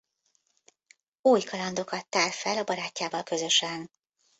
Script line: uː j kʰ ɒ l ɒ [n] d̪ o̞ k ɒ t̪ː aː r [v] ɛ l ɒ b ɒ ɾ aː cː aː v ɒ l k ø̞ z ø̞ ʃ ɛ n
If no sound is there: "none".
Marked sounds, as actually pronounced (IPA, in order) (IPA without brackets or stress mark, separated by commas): n, f